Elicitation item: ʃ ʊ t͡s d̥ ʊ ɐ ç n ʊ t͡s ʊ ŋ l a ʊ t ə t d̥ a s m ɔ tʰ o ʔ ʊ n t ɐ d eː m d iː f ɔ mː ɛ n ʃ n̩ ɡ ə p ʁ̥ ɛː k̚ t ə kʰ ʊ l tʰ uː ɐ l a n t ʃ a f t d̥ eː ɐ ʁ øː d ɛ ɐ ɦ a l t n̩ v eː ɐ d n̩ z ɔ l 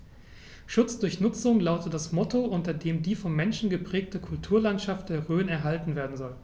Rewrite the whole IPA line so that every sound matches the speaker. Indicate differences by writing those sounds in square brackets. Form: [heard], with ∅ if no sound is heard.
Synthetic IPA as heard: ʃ ʊ t͡s d̥ ʊ ɐ ç n ʊ t͡s ʊ ŋ l a ʊ t ə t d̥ a s m ɔ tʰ o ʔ ʊ n t ɐ d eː m d iː f ɔ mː ɛ n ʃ n̩ ɡ ə p ʁ̥ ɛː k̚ t ə kʰ ʊ l tʰ uː ɐ l a n t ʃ a f t d̥ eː ɐ ʁ øː [n] ɛ ɐ ɦ a l t n̩ v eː ɐ d n̩ z ɔ l